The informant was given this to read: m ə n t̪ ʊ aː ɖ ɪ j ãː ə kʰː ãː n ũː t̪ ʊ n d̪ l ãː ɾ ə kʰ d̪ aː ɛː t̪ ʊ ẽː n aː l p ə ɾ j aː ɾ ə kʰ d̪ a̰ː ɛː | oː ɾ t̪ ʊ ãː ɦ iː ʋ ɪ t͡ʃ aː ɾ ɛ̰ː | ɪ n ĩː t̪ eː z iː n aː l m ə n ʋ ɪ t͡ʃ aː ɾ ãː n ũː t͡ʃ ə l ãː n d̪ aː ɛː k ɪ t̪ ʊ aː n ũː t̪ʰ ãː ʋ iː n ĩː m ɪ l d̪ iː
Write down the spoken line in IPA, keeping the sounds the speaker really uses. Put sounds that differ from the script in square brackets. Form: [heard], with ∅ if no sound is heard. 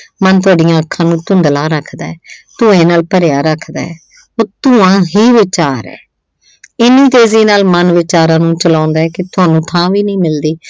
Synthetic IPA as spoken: m ə n t̪ ʊ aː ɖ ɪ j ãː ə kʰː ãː n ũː t̪ ʊ n d̪ l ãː ɾ ə kʰ d̪ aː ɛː t̪ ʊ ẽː n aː l p ə ɾ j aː ɾ ə kʰ d̪ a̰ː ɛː | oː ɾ t̪ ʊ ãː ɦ iː ʋ ɪ t͡ʃ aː ɾ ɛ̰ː | ɪ n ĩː t̪ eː z iː n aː l m ə n ʋ ɪ t͡ʃ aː ɾ ãː n ũː t͡ʃ ə l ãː n d̪ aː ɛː k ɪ t̪ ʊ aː n ũː t̪ʰ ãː ʋ iː n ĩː m ɪ l d̪ iː